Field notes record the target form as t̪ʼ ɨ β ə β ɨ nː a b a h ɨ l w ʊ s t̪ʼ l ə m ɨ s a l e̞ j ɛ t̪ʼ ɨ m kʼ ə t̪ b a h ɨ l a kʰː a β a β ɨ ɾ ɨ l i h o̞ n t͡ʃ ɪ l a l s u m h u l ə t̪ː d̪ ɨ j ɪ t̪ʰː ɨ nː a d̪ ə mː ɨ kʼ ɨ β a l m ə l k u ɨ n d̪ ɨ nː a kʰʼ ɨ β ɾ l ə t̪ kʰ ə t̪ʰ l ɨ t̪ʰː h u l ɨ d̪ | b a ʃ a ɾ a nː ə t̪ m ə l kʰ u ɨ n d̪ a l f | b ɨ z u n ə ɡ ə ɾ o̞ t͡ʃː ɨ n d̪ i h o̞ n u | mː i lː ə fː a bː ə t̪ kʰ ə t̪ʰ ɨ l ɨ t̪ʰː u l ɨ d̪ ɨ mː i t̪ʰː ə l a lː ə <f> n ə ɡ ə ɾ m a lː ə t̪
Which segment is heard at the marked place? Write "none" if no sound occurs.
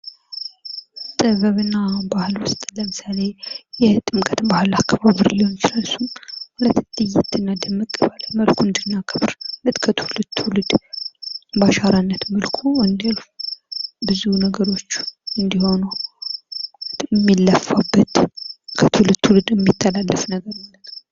f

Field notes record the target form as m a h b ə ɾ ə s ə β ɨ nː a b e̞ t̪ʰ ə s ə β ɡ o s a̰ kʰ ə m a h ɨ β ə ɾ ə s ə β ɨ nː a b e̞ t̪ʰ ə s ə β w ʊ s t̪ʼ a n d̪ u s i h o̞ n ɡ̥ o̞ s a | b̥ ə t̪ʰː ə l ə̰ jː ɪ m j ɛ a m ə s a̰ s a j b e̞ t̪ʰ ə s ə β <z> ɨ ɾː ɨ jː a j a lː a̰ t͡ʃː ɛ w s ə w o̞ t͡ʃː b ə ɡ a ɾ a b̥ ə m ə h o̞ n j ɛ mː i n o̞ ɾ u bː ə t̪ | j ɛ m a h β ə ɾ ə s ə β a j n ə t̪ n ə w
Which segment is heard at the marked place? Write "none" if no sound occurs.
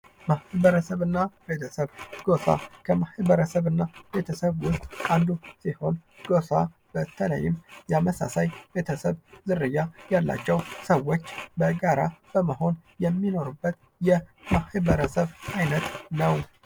z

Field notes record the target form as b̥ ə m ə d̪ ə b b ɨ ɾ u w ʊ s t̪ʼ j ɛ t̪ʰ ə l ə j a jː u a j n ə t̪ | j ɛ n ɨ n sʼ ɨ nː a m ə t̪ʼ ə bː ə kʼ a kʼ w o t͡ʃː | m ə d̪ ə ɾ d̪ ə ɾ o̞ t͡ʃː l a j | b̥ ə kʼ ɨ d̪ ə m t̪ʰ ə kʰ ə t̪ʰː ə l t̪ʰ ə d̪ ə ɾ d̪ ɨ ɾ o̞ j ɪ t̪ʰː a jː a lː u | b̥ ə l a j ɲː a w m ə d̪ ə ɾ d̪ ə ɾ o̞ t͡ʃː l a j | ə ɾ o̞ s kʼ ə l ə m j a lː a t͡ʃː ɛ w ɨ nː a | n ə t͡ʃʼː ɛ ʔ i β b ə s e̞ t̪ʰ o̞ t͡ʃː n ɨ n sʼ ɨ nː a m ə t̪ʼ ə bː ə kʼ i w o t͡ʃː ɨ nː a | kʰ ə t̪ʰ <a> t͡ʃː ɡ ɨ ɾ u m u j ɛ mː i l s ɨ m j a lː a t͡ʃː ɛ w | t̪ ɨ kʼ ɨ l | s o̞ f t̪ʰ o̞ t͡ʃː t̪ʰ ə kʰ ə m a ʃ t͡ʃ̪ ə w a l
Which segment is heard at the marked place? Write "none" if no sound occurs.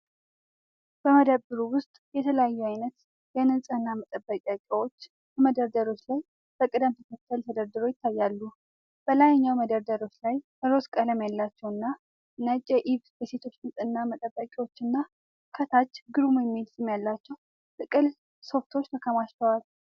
a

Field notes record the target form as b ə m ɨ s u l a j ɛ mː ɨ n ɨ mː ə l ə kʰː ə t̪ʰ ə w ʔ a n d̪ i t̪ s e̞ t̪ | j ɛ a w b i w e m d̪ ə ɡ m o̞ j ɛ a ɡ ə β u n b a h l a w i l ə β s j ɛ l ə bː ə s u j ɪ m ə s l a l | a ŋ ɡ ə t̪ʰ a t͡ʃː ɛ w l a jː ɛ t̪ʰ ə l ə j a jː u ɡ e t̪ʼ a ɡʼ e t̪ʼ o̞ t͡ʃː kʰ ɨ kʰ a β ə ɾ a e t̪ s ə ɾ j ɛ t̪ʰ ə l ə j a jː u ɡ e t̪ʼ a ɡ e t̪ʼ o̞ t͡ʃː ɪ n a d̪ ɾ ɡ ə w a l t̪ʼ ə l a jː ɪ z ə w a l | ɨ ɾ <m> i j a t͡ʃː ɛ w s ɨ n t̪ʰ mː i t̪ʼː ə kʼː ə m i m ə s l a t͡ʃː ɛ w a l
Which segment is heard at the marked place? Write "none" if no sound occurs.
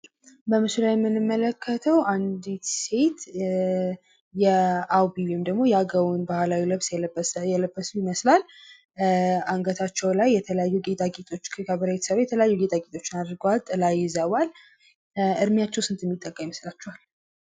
m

